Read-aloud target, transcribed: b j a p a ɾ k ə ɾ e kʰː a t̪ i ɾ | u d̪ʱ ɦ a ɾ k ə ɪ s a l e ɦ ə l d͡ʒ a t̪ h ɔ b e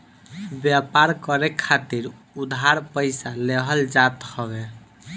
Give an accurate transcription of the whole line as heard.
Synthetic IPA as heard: b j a p a ɾ k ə ɾ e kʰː a t̪ i ɾ | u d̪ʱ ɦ a ɾ p ə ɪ s a l e ɦ ə l d͡ʒ a t̪ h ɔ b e

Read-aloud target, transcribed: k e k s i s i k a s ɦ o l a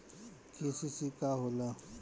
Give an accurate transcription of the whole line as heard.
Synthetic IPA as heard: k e s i s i k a ɦ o l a

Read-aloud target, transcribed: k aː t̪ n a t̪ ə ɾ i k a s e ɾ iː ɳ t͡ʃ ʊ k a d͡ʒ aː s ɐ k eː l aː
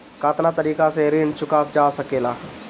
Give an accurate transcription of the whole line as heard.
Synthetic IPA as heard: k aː t̪ n a t̪ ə ɾ iː k a s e ɾ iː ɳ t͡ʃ ʊ k a d͡ʒ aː s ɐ k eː l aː

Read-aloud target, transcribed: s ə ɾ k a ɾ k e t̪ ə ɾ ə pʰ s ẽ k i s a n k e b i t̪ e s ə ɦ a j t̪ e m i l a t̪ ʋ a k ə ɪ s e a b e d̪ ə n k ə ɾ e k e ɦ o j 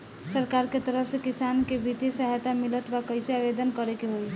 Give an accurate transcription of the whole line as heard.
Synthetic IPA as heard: s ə ɾ k a ɾ k e t̪ ə ɾ ə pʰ s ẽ k i s a n k e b i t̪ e s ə ɦ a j t̪ a m i l ə t̪ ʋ a k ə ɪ s e a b e d̪ ə n k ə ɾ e k e ɦ o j

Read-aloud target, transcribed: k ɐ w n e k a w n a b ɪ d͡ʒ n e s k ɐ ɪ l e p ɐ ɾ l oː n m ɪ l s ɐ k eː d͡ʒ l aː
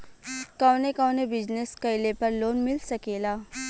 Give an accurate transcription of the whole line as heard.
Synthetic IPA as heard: k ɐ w n e k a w n e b ɪ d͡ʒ n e s k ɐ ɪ l e p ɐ ɾ l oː n m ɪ l s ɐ k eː l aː

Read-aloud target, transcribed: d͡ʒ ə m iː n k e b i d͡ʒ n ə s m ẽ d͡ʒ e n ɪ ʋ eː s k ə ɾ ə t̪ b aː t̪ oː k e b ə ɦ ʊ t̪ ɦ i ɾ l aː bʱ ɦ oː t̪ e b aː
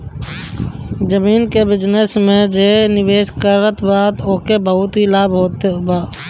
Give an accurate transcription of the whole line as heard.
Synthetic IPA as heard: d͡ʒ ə m iː n k e b ɪ d͡ʒ n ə s m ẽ d͡ʒ e n ɪ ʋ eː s k ə ɾ ə t̪ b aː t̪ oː k e b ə ɦ ʊ t̪ ɦ i l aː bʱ ɦ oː t̪ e b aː

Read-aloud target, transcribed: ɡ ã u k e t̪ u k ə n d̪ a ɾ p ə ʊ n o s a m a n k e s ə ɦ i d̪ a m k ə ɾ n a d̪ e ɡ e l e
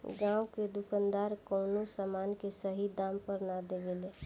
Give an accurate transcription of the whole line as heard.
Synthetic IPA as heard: ɡ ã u k e d̪ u k ə n d̪ a ɾ k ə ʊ n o s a m a n k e s ə ɦ i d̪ a m p ə ɾ n a d̪ e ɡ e l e

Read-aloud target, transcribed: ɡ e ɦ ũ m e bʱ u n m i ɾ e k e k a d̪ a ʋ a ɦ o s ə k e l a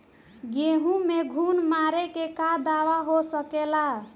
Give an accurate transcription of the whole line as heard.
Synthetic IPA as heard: ɡ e ɦ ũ m e ɡʱ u n m a ɾ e k e k a d̪ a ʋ a ɦ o s ə k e l a

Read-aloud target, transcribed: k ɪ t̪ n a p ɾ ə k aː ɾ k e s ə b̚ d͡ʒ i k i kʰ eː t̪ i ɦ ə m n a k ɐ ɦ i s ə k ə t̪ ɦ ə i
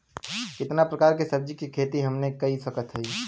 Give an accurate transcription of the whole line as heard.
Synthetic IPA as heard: k ɪ t̪ n a p ɾ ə k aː ɾ k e s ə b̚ d͡ʒ i k i kʰ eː t̪ i ɦ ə m n e k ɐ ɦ i s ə k ə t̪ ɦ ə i

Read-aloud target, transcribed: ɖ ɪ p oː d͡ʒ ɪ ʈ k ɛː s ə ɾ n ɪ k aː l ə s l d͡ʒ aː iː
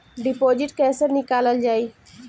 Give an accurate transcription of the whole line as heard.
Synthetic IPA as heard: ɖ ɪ p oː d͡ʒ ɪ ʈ k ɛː s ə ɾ n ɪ k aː l ə l d͡ʒ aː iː

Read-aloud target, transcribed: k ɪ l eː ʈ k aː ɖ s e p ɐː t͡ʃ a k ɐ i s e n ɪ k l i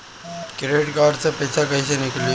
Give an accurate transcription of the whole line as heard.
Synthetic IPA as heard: k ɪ ɾ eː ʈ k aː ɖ s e p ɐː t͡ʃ a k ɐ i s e n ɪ k l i

